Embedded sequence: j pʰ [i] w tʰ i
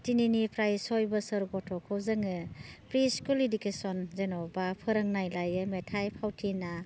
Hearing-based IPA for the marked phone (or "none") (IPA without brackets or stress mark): a